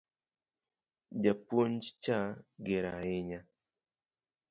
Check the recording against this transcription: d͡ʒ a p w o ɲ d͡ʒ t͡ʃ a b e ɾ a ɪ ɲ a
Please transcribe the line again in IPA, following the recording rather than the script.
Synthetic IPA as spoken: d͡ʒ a p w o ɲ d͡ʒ t͡ʃ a ɡ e ɾ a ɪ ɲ a